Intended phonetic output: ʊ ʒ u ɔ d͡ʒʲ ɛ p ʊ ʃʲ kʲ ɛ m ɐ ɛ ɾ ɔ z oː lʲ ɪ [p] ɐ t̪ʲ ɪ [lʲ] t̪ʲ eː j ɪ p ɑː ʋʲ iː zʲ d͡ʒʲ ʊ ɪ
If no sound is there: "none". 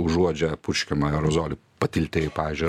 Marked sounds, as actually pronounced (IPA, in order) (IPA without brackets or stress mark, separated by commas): p, lʲ